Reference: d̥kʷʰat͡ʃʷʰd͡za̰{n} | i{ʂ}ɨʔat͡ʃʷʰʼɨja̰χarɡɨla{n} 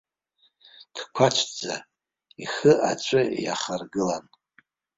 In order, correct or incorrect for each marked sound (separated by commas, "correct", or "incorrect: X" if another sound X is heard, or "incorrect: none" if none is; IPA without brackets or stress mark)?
incorrect: none, incorrect: χ, correct